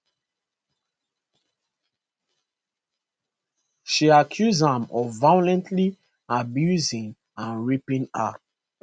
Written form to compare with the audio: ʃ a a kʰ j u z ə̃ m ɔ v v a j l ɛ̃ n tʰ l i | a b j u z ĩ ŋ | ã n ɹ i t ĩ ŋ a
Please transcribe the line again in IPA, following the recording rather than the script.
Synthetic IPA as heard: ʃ i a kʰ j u z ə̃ m ɔ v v a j l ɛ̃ n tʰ l i | a b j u z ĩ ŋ | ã n ɹ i p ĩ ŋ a